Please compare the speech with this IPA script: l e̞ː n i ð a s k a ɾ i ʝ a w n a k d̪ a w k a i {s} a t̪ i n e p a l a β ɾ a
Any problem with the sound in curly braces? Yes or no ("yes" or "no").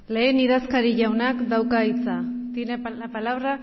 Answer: yes